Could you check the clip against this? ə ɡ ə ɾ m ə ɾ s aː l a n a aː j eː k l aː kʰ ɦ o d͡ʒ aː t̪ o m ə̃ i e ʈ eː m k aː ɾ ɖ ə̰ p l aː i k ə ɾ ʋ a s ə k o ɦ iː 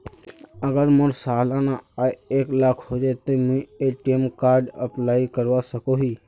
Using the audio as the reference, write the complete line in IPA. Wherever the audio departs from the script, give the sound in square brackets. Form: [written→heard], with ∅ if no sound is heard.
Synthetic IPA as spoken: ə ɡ ə ɾ m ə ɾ s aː l a n a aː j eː k l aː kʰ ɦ o d͡ʒ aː t̪ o m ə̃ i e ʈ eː m k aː ɾ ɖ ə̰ p l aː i k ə ɾ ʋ a s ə k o ɦ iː